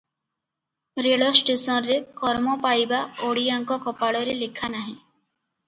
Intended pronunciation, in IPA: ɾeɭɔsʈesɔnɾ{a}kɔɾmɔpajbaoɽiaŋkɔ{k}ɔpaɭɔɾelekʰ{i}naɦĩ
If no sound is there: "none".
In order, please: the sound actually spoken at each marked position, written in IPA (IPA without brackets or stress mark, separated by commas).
e, k, a